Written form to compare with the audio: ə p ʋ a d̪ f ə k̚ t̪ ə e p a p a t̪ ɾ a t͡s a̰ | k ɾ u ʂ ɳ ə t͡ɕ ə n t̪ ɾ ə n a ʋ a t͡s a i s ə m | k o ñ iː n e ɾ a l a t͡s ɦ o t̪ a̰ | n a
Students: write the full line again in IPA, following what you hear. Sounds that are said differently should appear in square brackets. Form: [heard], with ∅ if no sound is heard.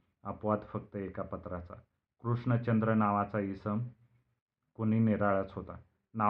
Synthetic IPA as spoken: ə p ʋ a d̪ f ə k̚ t̪ ə e [k] a p [ə] t̪ ɾ a t͡s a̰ | k ɾ u ʂ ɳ ə t͡ɕ ə n [d̪] ɾ ə n a ʋ a t͡s a i s ə m | k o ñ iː n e ɾ a [ɭ] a t͡s ɦ o t̪ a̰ | n a